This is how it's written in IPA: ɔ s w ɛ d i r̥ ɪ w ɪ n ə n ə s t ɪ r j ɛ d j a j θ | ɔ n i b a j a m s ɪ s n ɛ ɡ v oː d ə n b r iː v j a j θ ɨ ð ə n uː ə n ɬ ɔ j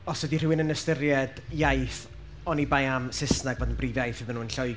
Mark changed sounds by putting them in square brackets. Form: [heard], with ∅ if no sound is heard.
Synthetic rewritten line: ɔ s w ɛ d i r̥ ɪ w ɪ n ə n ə s t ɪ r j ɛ d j a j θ | ɔ n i b a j a m s ɪ s n [a] ɡ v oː d ə n b r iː v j a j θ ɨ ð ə n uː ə n ɬ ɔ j

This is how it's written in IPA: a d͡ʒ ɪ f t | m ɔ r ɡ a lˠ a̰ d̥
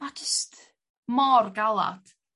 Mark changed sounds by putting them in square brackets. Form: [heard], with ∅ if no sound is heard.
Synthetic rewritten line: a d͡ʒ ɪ [s] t | m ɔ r ɡ a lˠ a̰ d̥

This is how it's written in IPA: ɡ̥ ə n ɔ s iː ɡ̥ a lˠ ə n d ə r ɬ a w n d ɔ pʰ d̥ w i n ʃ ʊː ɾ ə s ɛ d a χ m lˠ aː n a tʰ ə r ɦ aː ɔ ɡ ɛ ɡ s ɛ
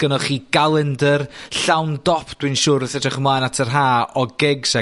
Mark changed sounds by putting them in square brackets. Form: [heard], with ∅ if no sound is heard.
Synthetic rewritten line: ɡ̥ ə n ɔ [χ] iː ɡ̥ a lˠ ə n d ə r ɬ a w n d ɔ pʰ d̥ w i n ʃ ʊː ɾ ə [θ] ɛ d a χ m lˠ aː n a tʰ ə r ɦ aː ɔ ɡ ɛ ɡ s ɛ

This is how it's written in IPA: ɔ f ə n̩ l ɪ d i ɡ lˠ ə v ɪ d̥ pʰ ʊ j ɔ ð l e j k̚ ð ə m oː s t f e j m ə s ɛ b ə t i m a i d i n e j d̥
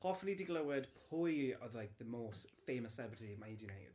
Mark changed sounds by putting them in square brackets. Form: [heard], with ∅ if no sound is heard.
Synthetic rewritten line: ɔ f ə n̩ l [i] d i ɡ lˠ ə [w] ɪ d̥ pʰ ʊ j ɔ ð l [a] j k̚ ð ə m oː s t f e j m ə s ɛ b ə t i m a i d i n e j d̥

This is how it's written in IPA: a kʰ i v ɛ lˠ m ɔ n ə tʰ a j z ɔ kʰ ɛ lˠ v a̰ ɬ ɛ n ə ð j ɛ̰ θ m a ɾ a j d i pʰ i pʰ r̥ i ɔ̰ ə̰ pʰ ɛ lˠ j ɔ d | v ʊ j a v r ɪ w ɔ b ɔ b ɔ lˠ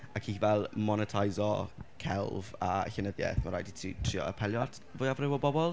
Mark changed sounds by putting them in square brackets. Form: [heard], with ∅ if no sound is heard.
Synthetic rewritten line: a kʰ i v ɛ lˠ m ɔ n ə tʰ a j z ɔ kʰ ɛ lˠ v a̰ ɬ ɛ n ə ð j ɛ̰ θ m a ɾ a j d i [tʰ] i [tʰ] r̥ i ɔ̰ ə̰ pʰ ɛ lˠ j ɔ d | v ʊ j a v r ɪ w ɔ b ɔ b ɔ lˠ

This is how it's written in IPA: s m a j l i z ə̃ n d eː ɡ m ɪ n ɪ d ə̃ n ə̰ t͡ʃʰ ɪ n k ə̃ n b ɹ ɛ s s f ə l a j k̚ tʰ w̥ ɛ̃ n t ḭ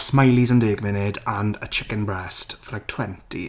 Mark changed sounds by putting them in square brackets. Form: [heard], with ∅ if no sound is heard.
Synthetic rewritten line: s m a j l i z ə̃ n d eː ɡ m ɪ n ɪ d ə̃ n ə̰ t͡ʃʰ ɪ [∅] k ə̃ n b ɹ ɛ s [t] f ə l a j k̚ tʰ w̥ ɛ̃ n t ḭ

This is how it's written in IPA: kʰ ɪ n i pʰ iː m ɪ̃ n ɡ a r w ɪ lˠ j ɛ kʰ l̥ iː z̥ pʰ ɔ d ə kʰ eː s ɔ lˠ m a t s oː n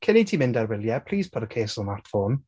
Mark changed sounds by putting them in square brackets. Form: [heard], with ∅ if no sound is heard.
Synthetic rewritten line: kʰ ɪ n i [tʰ] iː m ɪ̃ n [d] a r w ɪ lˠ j ɛ [pʰ] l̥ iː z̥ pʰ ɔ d ə kʰ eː s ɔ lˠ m a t [f] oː n

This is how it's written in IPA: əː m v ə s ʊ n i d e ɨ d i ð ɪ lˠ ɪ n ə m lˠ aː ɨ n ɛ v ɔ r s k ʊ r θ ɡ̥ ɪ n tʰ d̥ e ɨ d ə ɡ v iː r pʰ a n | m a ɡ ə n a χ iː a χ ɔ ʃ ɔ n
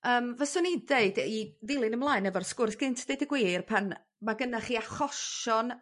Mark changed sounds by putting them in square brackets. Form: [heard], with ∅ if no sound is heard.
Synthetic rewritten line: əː m v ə s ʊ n i d e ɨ d i ð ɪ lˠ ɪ n ə m lˠ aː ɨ n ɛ v ɔ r s k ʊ r θ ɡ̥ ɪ n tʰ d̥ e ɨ d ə ɡ [w] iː r pʰ a n | m a ɡ ə n a χ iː a χ ɔ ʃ ɔ n

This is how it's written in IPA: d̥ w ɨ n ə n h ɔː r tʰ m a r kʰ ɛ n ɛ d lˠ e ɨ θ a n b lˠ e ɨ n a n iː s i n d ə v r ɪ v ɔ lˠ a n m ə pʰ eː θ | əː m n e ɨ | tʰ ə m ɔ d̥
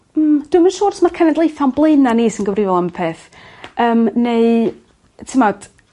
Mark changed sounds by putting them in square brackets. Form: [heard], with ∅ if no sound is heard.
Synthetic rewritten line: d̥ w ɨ [m] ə n [ʃ] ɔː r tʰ m a r kʰ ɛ n ɛ d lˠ e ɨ θ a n b lˠ e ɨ n a n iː s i n [ɡ] ə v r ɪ v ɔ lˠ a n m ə pʰ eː θ | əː m n e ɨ | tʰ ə m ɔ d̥

